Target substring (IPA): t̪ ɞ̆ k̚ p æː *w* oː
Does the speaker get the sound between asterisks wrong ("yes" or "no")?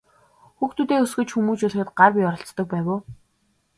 no